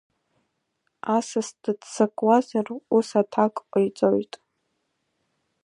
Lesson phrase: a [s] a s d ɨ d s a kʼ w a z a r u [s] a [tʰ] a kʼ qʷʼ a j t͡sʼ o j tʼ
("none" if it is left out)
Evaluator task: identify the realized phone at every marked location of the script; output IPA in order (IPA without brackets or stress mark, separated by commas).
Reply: s, s, tʰ